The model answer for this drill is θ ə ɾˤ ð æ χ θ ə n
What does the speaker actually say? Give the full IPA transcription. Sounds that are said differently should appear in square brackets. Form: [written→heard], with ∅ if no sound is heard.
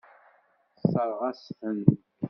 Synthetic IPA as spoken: [θ→s] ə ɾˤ [ð→ʁ] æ [χ→s] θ ə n